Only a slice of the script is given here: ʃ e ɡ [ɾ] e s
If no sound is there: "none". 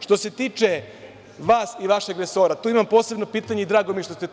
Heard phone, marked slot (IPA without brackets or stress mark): ɾ